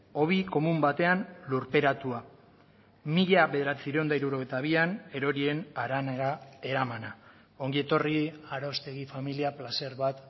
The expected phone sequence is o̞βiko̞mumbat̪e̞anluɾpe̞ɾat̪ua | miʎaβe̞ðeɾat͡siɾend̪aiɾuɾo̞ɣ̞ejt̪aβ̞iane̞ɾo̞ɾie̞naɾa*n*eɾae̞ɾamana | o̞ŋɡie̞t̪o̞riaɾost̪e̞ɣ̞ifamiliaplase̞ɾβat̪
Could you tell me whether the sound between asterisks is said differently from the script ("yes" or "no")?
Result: no